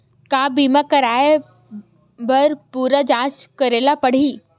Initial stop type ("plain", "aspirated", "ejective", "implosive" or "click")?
plain